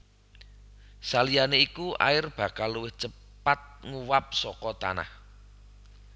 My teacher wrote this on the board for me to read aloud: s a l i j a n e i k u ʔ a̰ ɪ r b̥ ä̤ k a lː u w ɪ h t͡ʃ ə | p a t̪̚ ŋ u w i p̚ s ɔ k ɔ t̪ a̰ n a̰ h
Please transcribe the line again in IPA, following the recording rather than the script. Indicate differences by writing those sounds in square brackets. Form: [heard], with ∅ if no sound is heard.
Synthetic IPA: s a l i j a n e i k u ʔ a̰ ɪ r b̥ ä̤ k a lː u w ɪ h t͡ʃ ə | p a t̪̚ ŋ u w [a] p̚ s ɔ k ɔ t̪ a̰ n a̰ h